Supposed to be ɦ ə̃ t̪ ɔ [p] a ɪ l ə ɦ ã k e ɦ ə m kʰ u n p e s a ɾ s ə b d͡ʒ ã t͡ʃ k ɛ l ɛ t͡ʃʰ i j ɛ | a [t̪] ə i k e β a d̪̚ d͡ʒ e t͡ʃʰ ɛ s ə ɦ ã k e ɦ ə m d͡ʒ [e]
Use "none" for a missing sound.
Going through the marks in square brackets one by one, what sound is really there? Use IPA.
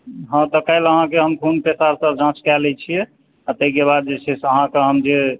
k, t̪, e

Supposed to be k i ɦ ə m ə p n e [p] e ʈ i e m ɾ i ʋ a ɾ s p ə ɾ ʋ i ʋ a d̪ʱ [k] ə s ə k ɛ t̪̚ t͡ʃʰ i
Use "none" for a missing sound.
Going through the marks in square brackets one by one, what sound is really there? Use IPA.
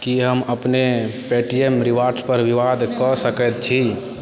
p, k

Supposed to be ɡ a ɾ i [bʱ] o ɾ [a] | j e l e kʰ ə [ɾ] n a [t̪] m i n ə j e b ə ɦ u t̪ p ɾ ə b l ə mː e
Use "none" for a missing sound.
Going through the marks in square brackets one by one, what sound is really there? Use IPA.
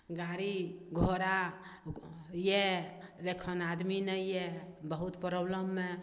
ɡʱ, a, none, d̪

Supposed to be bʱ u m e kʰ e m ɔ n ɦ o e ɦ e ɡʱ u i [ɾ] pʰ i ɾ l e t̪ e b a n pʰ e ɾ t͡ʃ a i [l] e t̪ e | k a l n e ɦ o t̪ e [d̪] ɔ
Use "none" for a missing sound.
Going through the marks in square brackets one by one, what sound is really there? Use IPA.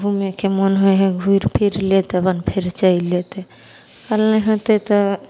ɾ, l, t̪

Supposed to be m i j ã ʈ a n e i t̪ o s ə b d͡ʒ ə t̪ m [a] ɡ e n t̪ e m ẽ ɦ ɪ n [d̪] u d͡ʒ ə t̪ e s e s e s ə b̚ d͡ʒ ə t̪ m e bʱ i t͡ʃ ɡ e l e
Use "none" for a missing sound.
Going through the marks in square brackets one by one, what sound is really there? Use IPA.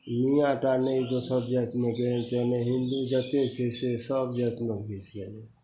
e, d̪

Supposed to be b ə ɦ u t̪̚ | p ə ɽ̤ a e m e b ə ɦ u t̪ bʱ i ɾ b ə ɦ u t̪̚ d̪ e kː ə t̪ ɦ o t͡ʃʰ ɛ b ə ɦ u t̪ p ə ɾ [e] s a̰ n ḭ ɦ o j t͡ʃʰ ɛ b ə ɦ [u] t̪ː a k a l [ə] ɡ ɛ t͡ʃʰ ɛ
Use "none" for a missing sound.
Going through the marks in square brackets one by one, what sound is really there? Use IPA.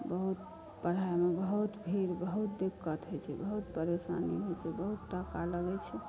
e, u, ə

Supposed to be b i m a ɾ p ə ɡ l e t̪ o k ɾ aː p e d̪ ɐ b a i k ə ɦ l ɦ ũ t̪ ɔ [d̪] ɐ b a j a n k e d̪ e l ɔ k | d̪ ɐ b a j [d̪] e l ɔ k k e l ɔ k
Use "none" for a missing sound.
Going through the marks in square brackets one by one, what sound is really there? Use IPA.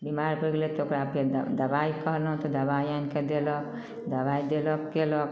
d̪, d̪

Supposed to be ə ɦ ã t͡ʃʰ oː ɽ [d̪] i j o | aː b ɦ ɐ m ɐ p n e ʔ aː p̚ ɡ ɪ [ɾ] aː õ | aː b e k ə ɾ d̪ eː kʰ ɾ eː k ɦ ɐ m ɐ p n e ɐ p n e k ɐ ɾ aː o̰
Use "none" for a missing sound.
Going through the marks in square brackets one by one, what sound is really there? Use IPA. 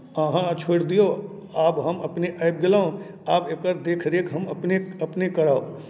d̪, l

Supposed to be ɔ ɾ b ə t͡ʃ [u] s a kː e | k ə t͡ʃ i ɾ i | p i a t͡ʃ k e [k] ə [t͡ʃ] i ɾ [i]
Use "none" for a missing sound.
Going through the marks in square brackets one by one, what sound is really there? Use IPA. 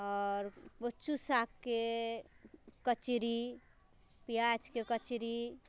u, k, t͡ʃ, i

